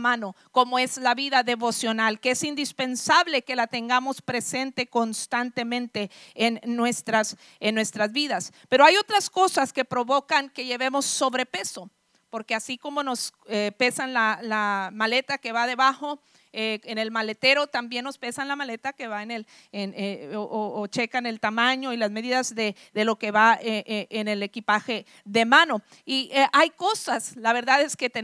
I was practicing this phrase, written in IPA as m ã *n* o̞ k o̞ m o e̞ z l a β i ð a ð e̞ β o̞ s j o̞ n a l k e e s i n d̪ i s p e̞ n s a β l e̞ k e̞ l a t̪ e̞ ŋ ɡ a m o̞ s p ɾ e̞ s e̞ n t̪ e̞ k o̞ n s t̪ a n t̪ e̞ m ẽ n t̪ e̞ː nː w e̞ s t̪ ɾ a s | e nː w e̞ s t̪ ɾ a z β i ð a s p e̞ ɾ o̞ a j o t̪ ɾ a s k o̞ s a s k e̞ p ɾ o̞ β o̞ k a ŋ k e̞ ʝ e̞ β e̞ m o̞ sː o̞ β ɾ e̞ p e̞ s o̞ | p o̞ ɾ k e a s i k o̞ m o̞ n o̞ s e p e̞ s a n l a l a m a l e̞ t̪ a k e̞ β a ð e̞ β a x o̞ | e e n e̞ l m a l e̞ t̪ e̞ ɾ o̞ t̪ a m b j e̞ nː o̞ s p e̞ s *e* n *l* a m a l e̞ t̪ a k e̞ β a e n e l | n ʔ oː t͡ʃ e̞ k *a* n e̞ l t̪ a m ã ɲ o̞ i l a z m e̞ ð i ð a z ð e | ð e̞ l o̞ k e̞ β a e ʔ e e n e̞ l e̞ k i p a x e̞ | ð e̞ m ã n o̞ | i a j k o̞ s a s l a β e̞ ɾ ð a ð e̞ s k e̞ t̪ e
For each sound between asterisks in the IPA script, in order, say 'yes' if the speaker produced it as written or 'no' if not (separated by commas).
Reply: yes, no, yes, yes